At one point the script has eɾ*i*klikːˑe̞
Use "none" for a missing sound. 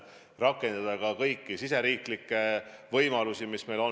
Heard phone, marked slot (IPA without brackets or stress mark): iː